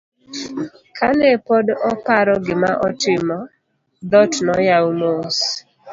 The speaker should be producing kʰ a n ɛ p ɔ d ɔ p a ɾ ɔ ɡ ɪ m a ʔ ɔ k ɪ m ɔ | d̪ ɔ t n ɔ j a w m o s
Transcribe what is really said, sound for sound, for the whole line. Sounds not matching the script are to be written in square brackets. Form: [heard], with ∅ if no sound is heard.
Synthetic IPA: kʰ a n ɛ p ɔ d ɔ p a ɾ ɔ ɡ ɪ m a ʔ ɔ [t] ɪ m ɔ | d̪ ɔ t n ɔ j a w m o s